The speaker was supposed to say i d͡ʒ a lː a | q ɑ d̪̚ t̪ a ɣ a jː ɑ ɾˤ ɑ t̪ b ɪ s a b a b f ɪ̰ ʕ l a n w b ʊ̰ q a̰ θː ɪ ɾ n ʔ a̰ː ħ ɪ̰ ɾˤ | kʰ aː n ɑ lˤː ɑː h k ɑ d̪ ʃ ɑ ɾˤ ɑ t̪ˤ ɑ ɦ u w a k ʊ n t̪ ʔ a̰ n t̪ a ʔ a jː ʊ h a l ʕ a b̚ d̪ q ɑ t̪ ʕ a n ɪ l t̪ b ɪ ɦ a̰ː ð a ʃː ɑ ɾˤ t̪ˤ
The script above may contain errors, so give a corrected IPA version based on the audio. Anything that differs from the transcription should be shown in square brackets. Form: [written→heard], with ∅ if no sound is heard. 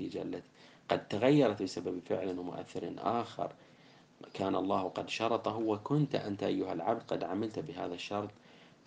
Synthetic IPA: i d͡ʒ a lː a | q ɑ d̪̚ t̪ a ɣ a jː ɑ ɾˤ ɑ t̪ b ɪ s a b a b f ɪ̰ ʕ l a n w [b→m] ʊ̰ [q→ʔ] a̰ θː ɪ ɾ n ʔ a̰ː [ħ→x] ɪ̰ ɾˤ | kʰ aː n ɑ lˤː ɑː h [k→q] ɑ d̪ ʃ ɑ ɾˤ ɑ t̪ˤ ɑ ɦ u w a k ʊ n t̪ ʔ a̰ n t̪ a ʔ a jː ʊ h a l ʕ a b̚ d̪ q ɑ [t̪→d̪] ʕ a [n→m] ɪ l t̪ b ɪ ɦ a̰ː ð a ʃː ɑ ɾˤ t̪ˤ